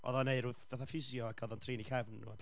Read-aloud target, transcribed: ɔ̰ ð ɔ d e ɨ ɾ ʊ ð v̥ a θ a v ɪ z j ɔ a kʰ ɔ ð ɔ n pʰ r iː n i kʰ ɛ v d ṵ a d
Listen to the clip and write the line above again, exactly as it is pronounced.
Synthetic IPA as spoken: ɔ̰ ð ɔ n e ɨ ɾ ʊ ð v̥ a θ a f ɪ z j ɔ a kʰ ɔ ð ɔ n tʰ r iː n i kʰ ɛ v n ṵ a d